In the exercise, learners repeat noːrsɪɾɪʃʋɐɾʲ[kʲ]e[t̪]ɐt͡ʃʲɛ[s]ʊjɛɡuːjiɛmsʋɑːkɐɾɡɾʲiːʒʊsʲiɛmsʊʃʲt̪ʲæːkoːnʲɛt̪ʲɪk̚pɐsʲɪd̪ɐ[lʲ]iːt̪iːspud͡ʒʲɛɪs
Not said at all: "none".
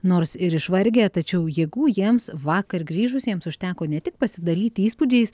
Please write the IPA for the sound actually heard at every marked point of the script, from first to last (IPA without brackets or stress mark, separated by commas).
ɡʲ, t̪, none, lʲ